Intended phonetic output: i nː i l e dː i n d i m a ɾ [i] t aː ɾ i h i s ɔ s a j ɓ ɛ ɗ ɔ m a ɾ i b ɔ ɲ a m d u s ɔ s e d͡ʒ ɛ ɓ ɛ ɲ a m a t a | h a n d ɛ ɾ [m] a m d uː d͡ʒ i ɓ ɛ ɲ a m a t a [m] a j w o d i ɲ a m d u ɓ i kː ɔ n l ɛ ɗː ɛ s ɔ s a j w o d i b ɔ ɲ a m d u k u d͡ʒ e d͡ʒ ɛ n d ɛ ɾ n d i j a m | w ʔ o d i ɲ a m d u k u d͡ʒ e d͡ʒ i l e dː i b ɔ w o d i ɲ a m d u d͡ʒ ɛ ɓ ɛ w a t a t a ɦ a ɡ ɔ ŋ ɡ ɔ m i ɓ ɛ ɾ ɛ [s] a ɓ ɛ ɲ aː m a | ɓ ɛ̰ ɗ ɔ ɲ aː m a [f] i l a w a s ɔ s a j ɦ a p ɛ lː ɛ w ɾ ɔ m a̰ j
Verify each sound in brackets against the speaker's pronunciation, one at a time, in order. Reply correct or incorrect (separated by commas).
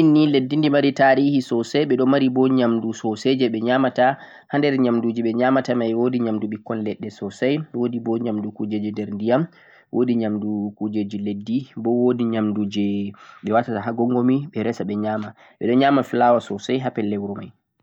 correct, incorrect, correct, correct, correct